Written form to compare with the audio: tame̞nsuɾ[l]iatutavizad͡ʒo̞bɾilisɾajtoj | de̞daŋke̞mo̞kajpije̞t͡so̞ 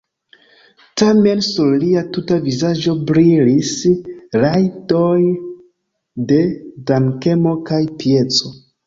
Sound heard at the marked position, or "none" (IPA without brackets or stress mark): l